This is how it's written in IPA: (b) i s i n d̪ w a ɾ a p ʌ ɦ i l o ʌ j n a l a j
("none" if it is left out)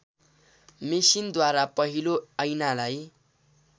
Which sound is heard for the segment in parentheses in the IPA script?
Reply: m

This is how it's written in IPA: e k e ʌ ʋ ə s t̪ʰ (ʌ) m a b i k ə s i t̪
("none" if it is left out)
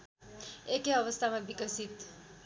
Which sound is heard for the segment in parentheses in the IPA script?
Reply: a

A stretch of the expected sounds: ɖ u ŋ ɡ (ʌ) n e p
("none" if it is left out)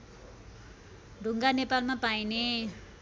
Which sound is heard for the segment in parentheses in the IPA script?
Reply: a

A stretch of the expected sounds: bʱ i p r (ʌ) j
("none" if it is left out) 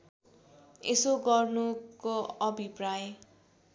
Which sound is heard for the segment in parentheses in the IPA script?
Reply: a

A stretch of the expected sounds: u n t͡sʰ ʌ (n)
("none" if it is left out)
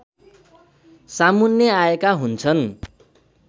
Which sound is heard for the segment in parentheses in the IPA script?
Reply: n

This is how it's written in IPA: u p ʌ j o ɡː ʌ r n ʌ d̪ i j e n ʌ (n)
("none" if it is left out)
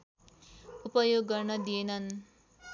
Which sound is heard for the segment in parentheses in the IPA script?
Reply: n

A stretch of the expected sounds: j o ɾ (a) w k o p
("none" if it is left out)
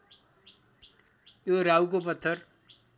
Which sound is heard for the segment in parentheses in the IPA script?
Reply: a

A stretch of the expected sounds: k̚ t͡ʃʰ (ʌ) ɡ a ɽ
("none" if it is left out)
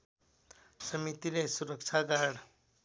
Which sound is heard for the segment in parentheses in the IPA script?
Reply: a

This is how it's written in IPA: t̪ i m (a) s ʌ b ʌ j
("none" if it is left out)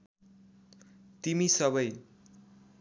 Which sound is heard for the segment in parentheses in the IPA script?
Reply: i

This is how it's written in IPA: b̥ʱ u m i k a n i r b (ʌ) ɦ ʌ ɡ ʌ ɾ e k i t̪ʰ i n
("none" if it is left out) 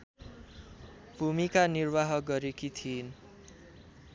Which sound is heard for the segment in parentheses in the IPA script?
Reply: a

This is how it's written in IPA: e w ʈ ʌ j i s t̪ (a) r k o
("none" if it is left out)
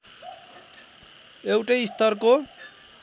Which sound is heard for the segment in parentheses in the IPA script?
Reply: ʌ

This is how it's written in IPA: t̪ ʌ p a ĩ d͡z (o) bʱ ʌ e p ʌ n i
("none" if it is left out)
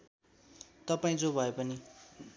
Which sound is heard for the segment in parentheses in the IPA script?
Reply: o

